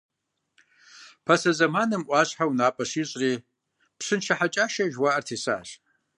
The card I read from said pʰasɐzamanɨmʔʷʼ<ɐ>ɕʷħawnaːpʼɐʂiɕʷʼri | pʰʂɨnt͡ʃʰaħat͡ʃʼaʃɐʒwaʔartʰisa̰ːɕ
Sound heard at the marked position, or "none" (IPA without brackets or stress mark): a